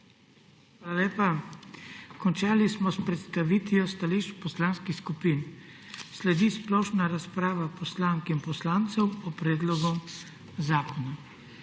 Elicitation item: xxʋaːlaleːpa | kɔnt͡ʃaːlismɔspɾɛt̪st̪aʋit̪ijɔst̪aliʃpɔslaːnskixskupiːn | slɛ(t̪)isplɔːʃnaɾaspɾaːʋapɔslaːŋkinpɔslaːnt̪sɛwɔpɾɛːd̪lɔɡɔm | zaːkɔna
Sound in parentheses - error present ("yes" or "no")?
yes